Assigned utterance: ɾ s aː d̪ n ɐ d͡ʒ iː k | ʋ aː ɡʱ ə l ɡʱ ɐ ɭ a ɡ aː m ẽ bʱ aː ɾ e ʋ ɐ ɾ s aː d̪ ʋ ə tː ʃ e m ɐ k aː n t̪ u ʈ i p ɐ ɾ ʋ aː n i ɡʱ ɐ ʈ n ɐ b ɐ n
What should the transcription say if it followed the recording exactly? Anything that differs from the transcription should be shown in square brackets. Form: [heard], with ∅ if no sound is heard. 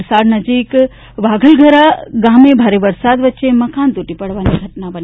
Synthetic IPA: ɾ s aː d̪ n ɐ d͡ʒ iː k | ʋ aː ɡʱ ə l ɡʱ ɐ [ɾ] a ɡ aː m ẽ bʱ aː ɾ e ʋ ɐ ɾ s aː d̪ ʋ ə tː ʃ e m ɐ k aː n t̪ u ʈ i p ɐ [ɽ] ʋ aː n i ɡʱ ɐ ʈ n [a] b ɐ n